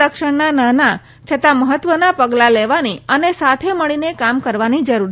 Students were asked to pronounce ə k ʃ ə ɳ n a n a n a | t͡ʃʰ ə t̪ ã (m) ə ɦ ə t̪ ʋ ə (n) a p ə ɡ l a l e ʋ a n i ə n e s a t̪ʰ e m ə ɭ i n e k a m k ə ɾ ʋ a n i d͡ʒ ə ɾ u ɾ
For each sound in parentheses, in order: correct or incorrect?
correct, correct

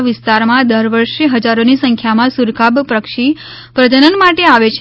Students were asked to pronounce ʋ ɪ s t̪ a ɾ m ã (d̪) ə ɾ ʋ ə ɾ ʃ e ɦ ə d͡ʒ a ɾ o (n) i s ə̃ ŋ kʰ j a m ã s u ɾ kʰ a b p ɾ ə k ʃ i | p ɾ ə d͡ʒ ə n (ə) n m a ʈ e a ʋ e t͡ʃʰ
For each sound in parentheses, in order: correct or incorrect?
correct, correct, correct

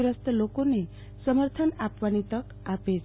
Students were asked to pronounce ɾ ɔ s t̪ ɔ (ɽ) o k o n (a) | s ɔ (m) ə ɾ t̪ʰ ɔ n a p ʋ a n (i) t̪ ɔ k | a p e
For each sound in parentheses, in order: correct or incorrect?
incorrect, incorrect, correct, correct

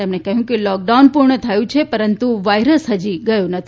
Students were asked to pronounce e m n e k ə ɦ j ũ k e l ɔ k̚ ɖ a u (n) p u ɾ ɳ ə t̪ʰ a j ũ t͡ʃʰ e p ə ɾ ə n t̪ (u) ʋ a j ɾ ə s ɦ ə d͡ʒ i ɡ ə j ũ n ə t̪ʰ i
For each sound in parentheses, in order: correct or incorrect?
correct, correct

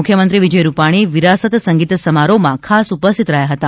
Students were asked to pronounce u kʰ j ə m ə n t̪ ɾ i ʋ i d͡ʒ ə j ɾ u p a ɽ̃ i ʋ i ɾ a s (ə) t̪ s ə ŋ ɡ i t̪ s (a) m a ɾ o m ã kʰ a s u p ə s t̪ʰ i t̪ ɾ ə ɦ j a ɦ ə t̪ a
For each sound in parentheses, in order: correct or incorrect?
correct, incorrect

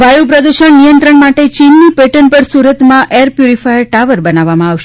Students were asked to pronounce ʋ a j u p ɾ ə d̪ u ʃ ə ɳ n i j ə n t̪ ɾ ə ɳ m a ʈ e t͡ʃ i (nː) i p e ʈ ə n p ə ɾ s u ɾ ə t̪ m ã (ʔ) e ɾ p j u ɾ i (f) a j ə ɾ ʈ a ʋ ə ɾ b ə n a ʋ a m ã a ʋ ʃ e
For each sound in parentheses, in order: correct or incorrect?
correct, correct, correct

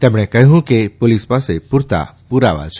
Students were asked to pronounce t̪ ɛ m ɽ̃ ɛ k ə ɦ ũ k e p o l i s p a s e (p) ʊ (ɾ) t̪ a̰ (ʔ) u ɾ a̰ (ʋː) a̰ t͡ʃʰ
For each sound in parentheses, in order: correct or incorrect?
correct, correct, incorrect, incorrect

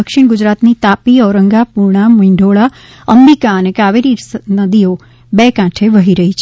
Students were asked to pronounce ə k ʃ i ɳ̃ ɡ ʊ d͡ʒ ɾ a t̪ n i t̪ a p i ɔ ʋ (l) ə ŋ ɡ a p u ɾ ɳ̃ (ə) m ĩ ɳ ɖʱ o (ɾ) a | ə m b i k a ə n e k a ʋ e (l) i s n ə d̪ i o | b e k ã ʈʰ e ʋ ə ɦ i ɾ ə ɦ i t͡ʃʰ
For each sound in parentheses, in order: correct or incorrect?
incorrect, incorrect, incorrect, incorrect

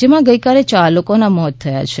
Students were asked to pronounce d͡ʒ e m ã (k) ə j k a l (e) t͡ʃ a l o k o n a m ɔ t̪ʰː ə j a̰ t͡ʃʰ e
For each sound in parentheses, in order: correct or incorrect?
incorrect, correct

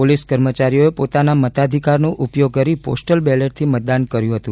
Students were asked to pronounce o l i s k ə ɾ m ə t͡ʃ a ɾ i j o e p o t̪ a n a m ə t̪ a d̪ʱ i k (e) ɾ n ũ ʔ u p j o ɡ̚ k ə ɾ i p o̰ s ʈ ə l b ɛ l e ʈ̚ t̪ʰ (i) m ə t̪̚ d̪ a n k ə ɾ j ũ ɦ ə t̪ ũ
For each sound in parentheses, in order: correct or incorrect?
incorrect, correct

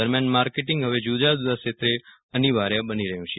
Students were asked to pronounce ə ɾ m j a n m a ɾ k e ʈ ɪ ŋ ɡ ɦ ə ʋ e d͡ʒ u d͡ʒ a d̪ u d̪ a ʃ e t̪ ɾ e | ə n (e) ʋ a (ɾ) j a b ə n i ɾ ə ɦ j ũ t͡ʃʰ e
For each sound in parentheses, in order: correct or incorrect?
incorrect, correct

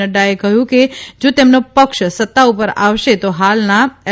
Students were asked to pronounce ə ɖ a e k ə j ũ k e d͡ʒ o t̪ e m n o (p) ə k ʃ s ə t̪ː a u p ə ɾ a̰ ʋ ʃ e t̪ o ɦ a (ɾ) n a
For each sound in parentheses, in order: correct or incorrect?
correct, incorrect

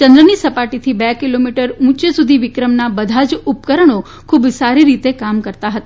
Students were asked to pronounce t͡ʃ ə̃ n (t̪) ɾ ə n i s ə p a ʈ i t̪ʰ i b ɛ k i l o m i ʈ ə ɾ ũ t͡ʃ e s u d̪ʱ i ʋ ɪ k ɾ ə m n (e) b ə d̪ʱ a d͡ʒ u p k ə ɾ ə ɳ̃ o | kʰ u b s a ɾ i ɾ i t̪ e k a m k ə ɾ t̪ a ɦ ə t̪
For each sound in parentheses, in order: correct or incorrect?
incorrect, incorrect

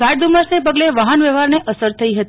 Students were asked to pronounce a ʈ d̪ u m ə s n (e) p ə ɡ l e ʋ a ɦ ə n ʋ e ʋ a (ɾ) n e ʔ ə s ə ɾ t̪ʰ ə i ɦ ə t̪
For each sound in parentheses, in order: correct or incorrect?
correct, correct

